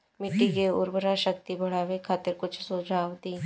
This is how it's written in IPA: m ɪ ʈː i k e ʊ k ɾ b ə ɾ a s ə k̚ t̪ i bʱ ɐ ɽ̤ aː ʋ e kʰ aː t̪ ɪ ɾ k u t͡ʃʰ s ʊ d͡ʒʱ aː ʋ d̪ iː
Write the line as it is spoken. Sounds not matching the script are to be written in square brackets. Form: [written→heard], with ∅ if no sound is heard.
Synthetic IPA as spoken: m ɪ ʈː i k e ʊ [k→∅] ɾ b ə ɾ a [s→ʃ] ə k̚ t̪ i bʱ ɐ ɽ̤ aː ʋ e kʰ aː t̪ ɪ ɾ k [u→ʊ] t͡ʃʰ s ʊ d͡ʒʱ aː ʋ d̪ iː